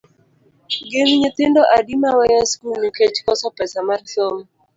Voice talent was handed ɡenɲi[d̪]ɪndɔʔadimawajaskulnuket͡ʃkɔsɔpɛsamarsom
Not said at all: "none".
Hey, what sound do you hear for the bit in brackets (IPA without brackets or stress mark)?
t̪